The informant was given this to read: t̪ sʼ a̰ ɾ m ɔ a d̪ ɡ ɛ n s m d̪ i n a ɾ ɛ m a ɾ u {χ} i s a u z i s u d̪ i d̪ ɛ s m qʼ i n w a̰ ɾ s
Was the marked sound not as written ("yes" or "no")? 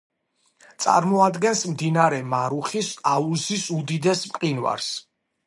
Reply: no